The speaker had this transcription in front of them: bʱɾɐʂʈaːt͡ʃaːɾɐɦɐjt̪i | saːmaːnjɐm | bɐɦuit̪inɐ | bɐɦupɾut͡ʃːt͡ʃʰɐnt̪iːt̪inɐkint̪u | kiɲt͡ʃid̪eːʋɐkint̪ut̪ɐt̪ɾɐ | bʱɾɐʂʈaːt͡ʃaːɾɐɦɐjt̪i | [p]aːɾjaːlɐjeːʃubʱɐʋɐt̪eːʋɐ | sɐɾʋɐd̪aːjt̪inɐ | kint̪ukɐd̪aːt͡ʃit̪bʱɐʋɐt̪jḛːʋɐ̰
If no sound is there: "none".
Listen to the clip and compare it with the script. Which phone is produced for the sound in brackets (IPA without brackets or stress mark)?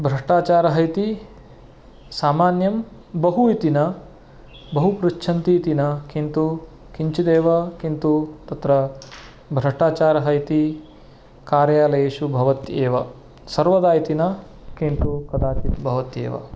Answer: k